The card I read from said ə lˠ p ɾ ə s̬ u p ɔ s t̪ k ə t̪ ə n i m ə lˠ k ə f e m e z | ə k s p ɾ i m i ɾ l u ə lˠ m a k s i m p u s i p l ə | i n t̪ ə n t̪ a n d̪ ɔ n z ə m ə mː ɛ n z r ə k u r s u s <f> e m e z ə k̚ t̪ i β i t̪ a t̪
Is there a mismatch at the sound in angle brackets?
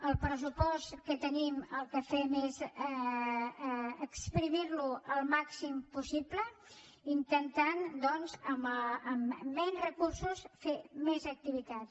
no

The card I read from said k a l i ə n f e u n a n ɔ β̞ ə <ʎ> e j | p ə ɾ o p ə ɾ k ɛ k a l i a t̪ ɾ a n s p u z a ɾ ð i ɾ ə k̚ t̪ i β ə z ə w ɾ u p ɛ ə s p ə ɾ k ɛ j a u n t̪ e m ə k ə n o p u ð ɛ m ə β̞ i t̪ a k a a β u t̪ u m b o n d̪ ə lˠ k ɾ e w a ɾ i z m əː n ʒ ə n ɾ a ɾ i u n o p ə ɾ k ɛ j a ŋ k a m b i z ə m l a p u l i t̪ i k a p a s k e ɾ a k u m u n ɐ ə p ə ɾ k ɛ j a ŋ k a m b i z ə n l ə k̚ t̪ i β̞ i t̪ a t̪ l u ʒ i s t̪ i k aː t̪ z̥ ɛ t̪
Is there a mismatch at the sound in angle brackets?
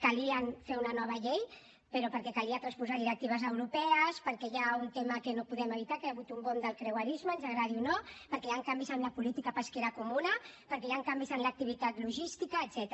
no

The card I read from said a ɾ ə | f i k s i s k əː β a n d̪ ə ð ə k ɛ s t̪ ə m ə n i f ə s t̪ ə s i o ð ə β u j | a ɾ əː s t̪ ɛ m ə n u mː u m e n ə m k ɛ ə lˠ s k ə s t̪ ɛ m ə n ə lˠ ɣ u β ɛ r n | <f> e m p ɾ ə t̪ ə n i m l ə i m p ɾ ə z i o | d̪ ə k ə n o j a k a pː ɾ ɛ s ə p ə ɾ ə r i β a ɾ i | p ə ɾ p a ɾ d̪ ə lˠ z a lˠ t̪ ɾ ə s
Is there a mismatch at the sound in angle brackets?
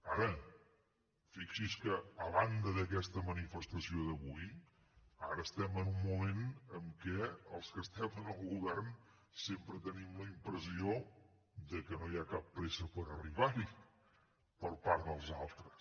yes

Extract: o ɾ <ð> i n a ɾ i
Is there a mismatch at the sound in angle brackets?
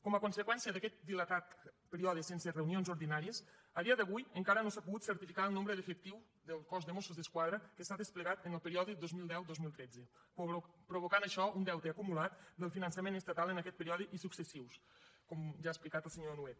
no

